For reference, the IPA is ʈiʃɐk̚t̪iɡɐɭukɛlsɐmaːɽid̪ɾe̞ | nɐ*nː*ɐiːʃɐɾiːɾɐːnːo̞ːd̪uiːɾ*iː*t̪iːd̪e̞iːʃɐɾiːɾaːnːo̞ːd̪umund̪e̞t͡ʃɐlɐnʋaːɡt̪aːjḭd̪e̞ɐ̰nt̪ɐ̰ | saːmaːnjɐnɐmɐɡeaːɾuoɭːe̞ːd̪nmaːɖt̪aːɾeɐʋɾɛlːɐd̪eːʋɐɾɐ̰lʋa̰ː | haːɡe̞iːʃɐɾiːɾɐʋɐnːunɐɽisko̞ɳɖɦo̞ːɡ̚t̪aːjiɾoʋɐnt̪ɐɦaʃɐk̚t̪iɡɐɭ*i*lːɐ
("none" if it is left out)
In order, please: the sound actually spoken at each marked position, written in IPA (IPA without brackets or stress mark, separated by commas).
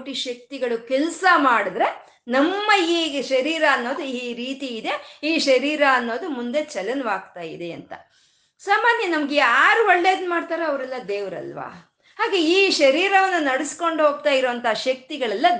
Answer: mː, iː, ɛ